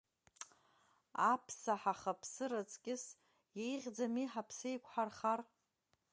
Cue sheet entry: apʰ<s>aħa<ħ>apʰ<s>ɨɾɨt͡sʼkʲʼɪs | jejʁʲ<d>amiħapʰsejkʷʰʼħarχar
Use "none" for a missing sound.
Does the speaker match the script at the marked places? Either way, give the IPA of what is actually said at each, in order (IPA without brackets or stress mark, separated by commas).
s, χ, s, d͡z